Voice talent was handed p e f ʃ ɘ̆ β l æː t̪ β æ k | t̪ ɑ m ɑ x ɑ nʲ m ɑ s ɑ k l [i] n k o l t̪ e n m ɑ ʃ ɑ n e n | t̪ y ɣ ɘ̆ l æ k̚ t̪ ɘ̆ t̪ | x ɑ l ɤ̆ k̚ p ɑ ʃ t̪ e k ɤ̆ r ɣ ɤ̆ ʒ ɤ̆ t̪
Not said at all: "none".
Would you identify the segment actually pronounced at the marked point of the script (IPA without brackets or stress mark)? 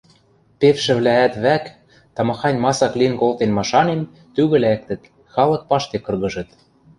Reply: i